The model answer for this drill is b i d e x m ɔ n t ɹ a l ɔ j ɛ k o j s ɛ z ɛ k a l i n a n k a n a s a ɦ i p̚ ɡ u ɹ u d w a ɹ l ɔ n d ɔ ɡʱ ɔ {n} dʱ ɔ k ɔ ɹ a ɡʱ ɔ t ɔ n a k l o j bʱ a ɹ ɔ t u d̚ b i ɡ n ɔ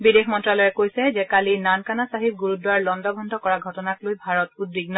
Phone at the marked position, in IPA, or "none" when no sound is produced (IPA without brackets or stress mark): n